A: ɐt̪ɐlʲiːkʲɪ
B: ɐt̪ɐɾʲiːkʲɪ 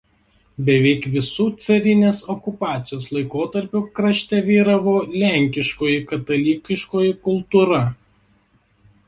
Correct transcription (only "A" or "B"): A